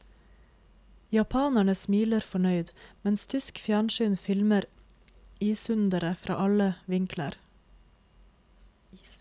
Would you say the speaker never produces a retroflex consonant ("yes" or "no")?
no